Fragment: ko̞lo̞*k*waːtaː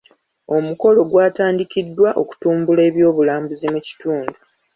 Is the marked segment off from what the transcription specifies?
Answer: yes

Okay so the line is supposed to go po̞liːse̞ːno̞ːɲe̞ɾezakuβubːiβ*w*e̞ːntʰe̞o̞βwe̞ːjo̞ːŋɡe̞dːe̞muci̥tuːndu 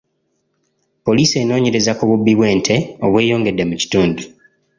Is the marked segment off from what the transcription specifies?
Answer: no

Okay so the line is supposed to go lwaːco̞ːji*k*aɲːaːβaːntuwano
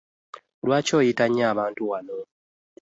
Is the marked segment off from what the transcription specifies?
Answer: yes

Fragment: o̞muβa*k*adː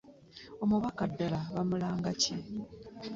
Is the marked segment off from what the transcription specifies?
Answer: no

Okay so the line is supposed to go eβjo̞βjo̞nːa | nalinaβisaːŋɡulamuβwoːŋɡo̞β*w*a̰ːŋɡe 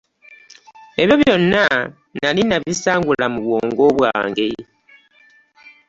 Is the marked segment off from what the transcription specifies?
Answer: no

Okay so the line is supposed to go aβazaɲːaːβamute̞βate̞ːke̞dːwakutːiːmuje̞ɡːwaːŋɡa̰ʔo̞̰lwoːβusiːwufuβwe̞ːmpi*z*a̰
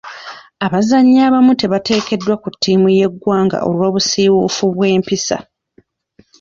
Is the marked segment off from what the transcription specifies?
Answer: yes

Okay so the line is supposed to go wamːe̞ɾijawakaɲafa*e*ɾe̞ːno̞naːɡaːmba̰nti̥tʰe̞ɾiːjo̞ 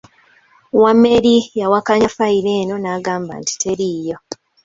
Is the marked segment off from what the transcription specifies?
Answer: yes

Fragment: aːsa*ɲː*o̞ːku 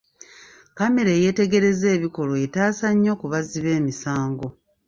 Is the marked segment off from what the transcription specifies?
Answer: no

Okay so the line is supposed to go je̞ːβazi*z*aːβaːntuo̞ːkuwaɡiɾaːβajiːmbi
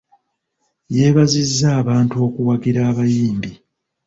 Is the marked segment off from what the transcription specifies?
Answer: yes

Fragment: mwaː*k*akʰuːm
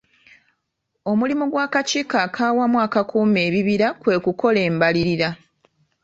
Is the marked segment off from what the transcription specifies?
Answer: no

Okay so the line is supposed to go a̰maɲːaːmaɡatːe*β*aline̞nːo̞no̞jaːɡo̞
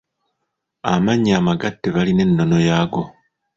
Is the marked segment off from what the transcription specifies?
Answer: no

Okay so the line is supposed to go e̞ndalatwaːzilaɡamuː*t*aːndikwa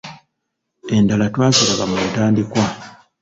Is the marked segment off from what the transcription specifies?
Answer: no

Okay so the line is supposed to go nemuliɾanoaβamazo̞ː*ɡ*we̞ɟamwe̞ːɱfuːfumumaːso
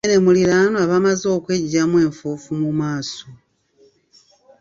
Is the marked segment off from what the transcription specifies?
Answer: yes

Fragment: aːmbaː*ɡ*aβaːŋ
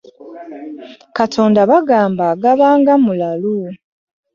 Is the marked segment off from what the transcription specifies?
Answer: no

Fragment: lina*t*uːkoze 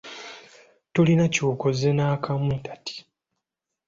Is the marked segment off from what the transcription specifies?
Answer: yes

